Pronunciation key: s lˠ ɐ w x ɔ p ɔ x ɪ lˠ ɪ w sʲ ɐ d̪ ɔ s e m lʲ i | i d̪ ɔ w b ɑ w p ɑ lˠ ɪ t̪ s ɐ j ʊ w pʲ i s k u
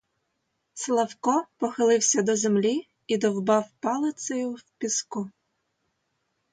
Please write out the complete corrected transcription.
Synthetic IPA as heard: s lˠ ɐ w k ɔ p ɔ x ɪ lˠ ɪ w sʲ ɐ d̪ ɔ z e m lʲ i | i d̪ ɔ w b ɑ w p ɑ lˠ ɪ t̪ s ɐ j ʊ w pʲ i s k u